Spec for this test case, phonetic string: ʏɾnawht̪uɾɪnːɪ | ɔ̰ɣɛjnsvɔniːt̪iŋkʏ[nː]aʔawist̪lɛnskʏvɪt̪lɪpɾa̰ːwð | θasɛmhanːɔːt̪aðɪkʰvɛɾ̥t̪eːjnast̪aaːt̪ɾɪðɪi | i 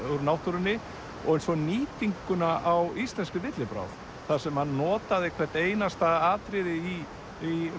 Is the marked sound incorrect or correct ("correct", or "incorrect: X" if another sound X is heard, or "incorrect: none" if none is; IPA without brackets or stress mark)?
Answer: incorrect: n